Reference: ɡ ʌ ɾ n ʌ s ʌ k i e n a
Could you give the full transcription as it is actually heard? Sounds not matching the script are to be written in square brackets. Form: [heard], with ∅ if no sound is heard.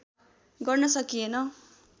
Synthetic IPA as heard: ɡ ʌ [r] n ʌ s ʌ k i e n [ʌ]